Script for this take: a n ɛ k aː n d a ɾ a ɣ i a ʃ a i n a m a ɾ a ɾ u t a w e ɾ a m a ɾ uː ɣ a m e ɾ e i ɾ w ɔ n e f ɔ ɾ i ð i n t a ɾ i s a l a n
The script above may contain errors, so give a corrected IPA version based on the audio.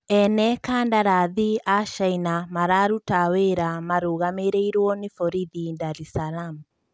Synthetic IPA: ɛ n ɛ k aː n d a ɾ a ð i a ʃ a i n a m a ɾ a ɾ u t a w e ɾ a m a ɾ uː ɣ a m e ɾ e i ɾ w ɔ n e f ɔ ɾ i ð i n d a ɾ i s a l a m

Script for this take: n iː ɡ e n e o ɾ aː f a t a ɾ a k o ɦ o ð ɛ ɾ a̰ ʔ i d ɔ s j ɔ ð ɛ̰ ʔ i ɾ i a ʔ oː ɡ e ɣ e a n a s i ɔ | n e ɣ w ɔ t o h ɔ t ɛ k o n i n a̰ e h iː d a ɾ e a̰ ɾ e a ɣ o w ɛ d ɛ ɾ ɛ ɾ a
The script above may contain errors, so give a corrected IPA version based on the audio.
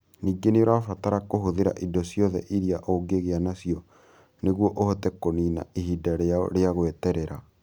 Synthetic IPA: n iː ɡ e n e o ɾ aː f a t a ɾ a k o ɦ o ð e ɾ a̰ ʔ i d ɔ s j ɔ ð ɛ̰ ʔ i ɾ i a ʔ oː ɡ e ɣ e a n a s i ɔ | n e ɣ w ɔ ʔ o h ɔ t ɛ k o n i n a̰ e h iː d a ɾ e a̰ ɾ e a ɣ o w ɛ t ɛ ɾ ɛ ɾ a

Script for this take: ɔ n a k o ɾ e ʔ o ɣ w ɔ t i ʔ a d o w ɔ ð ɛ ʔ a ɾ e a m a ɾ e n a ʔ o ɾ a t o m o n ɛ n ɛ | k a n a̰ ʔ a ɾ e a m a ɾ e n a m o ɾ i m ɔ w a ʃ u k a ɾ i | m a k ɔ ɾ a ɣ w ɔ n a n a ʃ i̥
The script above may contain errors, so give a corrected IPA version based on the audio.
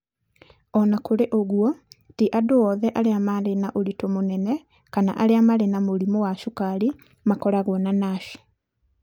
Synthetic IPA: ɔ n a k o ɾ e ʔ o ɣ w ɔ t i ʔ a d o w ɔ ð ɛ ʔ a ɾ e a m a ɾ e n a ʔ o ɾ i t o m o n ɛ n ɛ | k a n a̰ ʔ a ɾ e a m a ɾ e n a m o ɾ i m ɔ w a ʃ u k a ɾ i | m a k ɔ ɾ a ɣ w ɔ n a n a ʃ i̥

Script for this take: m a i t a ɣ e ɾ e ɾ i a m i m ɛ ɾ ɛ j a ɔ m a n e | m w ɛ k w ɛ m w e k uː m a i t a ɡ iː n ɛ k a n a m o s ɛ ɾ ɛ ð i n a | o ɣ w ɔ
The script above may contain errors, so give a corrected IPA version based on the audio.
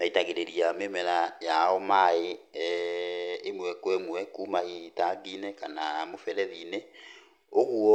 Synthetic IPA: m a i t a ɣ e ɾ e ɾ i a m e m ɛ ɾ a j a ɔ m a e | m w ɛ k w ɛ m w ɛ k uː m a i t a ɡ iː n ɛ k a n a m o f ɛ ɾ ɛ ð i n e | o ɣ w ɔ

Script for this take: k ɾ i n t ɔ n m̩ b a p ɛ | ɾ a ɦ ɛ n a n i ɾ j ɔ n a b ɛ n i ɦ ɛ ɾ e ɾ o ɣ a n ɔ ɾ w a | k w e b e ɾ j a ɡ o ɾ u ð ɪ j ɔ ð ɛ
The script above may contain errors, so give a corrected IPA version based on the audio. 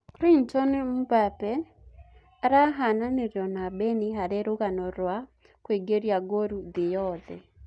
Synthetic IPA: k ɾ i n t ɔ n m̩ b a p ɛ | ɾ a ɦ a n a n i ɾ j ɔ n a b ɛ n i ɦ a ɾ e ɾ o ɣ a n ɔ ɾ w a | k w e ɡ e ɾ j a ɡ o ɾ u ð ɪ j ɔ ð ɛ

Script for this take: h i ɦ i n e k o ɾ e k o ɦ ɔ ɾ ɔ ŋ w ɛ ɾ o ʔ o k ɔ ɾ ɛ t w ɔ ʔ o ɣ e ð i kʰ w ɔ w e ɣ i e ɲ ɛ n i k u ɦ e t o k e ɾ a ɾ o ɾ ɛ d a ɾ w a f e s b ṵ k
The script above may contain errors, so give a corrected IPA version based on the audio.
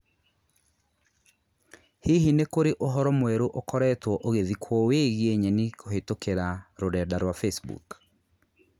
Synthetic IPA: h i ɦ i n e k o ɾ e ʔ o ɦ ɔ ɾ ɔ m w ɛ ɾ o ʔ o k ɔ ɾ ɛ t w ɔ ʔ o ɣ e ð i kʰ w ɔ w e ɣ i e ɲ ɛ n i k o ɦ e t o k e ɾ a ɾ o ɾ ɛ d a ɾ w a f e s b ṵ k

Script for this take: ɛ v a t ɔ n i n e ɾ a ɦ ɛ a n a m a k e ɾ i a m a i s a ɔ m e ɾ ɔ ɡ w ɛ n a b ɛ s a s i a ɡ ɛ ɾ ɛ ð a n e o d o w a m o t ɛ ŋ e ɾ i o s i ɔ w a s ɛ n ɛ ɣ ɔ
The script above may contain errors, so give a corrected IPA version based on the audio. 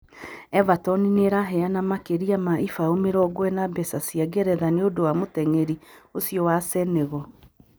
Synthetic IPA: ɛ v a t ɔ n i n e ɾ a ɦ ɛ a n a m a k e ɾ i a m a i f a o m e ɾ ɔ ɡ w ɛ n a b ɛ s a s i a ɡ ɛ ɾ ɛ ð a n e o d o w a m o t ɛ ŋ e ɾ i o s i ɔ w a s ɛ n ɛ ɣ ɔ

